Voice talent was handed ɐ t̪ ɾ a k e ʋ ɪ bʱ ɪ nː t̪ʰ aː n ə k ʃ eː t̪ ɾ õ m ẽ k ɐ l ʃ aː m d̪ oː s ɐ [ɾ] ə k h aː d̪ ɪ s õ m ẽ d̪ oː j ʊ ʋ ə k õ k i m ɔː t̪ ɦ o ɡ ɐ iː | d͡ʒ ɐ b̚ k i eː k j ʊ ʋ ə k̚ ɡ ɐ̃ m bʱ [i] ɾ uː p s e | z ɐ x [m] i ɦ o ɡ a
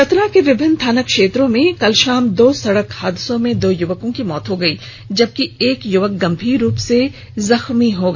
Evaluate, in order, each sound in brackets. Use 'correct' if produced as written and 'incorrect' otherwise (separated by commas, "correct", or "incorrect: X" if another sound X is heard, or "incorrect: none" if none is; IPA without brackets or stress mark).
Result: incorrect: ɽ, incorrect: iː, correct